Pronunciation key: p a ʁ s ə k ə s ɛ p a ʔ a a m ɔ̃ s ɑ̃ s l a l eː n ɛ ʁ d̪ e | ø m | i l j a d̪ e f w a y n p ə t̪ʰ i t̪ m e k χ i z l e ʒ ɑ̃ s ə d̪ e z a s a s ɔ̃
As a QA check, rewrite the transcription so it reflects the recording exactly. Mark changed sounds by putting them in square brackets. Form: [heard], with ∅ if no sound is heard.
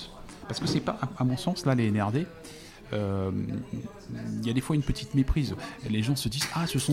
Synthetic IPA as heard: p a ʁ s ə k ə s ɛ p a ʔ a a m ɔ̃ s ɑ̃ s l a l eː n ɛ ʁ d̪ e | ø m | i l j a d̪ e f w a y n p ə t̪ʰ i t̪ m e [p] χ i z l e ʒ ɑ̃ s ə d̪ [i] z a s [ə] s ɔ̃